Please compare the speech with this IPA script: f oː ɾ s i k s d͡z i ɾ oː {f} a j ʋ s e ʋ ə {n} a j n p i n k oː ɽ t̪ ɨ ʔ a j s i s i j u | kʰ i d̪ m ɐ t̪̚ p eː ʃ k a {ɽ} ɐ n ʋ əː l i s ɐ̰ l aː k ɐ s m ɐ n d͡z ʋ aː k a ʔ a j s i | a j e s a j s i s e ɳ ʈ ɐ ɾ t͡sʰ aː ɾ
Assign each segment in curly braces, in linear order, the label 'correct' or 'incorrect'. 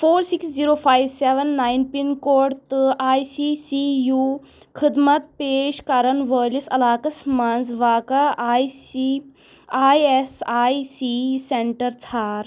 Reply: correct, incorrect: nː, incorrect: ɾ

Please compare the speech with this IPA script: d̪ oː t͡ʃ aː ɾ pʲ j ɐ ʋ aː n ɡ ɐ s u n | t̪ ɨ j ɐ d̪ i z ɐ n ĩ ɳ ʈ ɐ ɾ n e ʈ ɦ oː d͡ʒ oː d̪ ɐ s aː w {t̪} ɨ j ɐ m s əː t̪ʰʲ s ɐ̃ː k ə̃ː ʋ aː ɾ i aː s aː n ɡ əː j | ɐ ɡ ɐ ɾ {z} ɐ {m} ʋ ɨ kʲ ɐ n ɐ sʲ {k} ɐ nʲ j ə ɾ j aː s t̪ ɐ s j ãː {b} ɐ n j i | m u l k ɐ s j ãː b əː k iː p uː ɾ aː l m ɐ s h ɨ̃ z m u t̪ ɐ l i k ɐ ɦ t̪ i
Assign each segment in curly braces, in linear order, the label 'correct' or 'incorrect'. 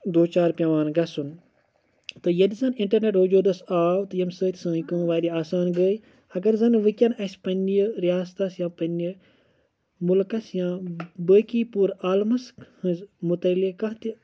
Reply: correct, correct, incorrect: n, incorrect: p, incorrect: p

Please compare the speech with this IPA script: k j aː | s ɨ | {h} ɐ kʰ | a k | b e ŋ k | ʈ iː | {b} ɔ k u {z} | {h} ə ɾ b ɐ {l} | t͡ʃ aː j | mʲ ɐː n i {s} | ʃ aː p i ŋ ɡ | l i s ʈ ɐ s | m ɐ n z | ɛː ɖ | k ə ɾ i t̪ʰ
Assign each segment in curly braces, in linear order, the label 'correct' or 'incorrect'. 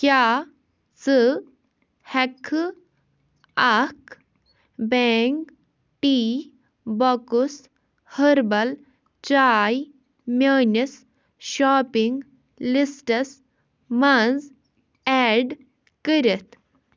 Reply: correct, correct, incorrect: s, correct, correct, correct

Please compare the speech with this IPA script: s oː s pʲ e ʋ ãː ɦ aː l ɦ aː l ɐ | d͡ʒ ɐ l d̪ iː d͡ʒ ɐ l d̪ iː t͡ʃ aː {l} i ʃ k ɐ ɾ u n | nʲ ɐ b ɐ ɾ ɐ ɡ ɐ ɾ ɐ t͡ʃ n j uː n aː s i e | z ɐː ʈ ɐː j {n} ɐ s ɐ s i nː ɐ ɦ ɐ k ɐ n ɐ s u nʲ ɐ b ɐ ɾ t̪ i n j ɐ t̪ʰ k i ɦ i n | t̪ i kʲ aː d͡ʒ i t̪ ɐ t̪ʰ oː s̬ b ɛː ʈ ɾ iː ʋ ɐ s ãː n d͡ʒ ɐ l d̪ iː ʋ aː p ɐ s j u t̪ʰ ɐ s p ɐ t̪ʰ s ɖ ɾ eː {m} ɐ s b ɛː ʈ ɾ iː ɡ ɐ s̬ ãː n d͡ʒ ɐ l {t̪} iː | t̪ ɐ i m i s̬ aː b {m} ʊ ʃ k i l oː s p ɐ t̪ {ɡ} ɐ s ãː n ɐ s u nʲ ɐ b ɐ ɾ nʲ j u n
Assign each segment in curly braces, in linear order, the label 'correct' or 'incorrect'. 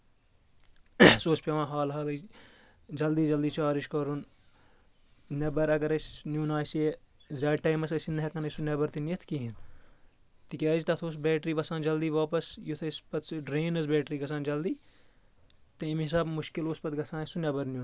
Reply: incorrect: ɾ, incorrect: m, incorrect: n, incorrect: d̪, correct, correct

